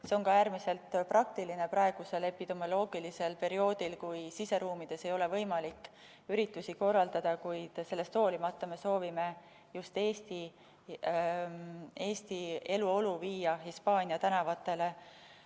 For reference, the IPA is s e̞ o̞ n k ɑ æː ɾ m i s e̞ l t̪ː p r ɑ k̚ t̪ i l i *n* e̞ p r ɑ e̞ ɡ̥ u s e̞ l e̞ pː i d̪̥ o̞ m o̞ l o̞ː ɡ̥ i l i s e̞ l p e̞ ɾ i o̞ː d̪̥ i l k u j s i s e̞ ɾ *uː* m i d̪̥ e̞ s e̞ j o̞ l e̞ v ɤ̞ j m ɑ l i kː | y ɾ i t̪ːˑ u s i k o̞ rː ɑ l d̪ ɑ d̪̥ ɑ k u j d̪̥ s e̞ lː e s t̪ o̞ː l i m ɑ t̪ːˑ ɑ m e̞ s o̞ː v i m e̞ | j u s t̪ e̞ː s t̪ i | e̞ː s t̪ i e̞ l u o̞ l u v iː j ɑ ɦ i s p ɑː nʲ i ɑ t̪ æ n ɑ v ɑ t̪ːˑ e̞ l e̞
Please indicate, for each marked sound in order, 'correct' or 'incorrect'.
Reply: correct, correct

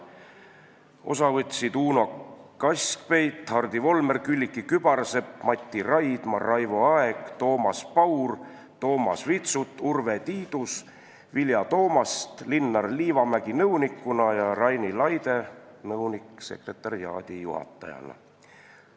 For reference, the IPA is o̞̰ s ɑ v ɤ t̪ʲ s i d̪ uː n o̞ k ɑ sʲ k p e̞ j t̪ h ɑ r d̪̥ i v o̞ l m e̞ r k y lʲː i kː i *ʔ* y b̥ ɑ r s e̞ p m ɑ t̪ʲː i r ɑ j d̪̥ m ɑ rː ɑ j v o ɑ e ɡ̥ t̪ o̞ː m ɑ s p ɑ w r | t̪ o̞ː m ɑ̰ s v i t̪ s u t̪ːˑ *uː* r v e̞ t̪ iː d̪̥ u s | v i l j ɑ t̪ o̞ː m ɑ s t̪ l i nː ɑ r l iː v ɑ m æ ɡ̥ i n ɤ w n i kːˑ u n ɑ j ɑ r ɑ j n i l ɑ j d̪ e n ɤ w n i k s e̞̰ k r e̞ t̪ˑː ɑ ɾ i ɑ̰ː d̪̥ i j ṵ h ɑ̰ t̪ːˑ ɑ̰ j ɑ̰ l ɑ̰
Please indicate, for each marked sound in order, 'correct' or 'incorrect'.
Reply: incorrect: k, incorrect: u

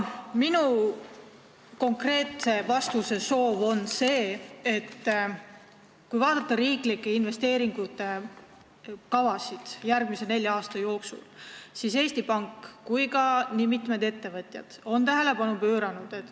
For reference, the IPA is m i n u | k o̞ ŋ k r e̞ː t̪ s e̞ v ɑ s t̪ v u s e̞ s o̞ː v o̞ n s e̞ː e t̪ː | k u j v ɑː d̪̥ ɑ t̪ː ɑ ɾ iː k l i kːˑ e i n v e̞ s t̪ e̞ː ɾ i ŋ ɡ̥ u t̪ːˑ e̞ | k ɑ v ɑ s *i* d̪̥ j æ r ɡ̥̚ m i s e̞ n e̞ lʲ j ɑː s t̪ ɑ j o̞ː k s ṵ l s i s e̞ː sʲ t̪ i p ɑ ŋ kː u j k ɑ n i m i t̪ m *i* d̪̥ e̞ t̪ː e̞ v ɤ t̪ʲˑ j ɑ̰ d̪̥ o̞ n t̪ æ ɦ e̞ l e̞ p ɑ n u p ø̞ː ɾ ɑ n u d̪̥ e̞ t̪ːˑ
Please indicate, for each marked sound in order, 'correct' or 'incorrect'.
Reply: correct, incorrect: e

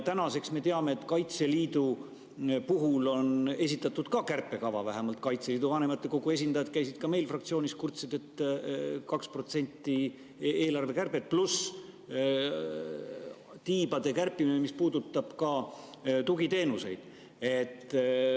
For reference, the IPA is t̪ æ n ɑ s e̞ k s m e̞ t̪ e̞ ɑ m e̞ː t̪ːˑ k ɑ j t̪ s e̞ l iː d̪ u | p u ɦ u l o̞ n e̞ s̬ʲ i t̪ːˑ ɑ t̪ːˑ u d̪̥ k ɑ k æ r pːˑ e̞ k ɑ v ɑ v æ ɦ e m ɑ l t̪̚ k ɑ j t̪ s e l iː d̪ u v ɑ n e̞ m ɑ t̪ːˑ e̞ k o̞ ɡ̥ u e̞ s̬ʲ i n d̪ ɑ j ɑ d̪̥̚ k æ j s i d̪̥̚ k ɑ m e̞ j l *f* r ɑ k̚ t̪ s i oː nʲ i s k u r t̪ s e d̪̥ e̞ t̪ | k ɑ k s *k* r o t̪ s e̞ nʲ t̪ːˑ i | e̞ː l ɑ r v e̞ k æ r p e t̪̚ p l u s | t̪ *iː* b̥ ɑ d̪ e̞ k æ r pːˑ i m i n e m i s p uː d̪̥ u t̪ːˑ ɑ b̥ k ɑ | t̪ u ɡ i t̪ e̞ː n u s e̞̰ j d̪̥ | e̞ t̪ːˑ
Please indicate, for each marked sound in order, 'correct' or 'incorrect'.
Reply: correct, incorrect: p, correct

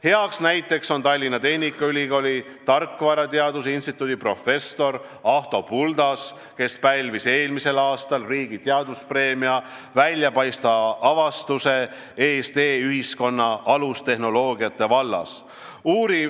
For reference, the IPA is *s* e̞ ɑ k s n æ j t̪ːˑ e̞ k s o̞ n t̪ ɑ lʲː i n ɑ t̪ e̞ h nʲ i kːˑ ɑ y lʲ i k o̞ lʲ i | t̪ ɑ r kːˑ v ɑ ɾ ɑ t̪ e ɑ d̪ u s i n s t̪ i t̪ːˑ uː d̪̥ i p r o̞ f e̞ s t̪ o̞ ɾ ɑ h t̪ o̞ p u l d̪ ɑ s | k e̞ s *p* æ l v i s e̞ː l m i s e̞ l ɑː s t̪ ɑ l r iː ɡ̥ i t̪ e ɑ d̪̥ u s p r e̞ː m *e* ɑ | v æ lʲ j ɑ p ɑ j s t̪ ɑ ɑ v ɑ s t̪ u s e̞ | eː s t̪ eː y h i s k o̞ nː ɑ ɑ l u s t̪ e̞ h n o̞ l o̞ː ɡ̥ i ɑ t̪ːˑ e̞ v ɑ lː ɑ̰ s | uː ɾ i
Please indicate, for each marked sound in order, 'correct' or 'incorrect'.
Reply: incorrect: h, correct, incorrect: i

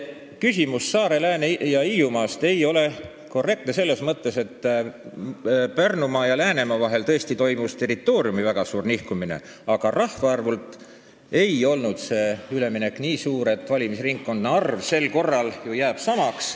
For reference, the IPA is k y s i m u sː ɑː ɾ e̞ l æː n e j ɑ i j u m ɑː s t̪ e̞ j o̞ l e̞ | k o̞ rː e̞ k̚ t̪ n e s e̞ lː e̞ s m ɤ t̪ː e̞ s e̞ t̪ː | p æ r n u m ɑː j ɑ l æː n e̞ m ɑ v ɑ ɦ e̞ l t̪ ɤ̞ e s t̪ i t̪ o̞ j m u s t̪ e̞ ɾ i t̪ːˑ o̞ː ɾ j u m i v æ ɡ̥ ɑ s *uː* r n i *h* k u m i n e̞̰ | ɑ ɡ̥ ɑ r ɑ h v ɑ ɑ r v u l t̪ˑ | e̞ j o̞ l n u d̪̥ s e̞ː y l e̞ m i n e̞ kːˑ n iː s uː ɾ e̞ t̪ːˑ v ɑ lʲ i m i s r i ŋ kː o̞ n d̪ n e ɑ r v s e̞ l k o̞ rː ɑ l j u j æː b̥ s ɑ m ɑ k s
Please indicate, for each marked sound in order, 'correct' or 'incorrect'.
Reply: correct, correct

